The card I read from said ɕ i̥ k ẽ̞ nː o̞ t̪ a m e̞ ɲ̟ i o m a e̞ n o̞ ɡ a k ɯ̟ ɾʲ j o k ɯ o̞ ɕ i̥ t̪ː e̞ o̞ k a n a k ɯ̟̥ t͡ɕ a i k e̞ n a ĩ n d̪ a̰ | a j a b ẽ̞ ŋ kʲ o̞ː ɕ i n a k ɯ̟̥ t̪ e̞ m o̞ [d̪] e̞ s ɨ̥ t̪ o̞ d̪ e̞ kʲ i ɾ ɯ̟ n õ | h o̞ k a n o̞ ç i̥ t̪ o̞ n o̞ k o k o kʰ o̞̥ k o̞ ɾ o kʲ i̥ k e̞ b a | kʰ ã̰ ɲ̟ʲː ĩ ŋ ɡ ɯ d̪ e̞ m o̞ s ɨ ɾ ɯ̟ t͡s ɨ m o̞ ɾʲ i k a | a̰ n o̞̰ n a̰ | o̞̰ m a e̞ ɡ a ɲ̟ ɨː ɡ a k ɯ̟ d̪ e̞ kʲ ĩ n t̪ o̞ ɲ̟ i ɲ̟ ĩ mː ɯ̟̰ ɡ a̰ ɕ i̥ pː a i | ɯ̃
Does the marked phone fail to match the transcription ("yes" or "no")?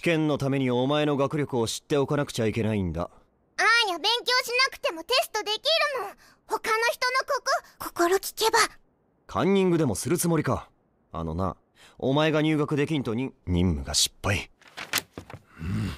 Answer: yes